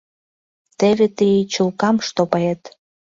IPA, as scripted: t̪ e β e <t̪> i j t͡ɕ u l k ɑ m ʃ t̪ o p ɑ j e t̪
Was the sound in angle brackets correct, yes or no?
yes